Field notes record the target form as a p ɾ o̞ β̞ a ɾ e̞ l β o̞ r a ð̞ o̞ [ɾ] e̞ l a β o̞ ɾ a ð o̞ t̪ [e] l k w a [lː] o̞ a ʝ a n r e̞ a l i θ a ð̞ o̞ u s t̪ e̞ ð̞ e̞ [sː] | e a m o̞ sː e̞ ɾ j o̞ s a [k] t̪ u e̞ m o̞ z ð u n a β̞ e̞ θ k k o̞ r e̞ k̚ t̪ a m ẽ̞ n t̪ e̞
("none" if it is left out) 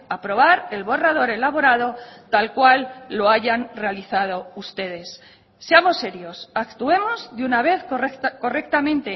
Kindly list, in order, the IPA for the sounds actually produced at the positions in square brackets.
ɾ, a, lː, sː, k

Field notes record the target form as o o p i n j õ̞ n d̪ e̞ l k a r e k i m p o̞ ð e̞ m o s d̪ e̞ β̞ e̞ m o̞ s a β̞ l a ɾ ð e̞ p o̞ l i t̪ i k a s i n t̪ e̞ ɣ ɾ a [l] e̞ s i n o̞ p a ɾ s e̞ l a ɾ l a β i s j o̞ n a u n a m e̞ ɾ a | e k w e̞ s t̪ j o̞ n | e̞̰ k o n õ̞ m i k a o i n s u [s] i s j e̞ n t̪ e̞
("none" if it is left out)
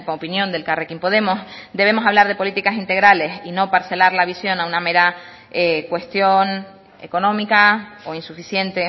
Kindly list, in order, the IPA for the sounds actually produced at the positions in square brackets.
l, f

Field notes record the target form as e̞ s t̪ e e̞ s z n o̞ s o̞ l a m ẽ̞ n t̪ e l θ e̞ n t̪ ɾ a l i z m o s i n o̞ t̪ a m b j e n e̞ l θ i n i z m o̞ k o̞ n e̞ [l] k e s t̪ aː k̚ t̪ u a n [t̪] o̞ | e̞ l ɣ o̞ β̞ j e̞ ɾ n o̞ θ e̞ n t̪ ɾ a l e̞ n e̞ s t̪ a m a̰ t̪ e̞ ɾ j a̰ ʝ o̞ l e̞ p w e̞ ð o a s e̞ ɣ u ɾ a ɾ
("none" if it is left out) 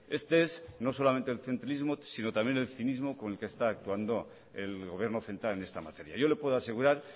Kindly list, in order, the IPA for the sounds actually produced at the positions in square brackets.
l, d̪

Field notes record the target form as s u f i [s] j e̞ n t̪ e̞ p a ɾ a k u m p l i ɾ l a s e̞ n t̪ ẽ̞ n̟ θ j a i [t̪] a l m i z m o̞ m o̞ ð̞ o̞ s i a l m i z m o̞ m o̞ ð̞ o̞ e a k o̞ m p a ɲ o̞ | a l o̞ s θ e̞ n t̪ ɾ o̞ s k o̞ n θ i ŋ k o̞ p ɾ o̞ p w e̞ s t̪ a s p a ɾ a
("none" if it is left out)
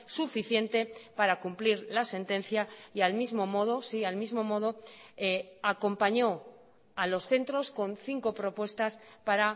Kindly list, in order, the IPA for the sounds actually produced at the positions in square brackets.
θ, none

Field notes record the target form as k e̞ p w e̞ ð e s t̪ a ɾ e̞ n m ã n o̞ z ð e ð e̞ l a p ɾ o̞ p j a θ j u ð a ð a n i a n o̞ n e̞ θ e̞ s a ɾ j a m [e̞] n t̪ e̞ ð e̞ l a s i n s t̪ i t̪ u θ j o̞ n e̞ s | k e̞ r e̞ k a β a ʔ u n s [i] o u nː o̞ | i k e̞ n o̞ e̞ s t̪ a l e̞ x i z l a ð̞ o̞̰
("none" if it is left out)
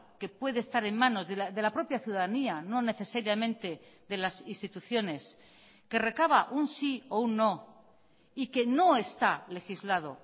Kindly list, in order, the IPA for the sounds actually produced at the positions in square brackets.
ẽ̞, i

